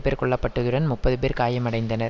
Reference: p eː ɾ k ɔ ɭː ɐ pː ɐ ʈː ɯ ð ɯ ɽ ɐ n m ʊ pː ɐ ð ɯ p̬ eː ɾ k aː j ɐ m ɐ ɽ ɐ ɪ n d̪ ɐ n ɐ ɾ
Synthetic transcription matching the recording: p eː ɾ k ɔ ɭː ɐ pː ɐ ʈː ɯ ð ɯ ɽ ɐ n m ʊ pː ɐ ð ɯ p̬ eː ɾ k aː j ɐ m ɐ ɽ ɐ ɪ n d̪ ɐ n ɐ ɾ